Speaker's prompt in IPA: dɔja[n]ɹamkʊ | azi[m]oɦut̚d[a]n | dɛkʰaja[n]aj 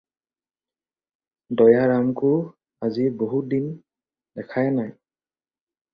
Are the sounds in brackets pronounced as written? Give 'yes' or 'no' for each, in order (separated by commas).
no, no, no, yes